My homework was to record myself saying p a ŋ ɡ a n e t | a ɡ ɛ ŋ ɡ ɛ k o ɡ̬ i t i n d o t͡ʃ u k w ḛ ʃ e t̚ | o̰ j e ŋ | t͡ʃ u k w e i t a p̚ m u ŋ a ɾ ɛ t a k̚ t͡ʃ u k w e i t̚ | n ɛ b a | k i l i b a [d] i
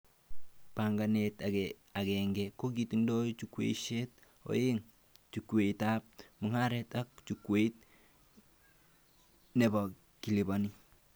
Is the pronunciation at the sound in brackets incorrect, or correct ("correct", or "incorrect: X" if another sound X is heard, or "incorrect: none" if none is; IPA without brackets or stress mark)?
incorrect: n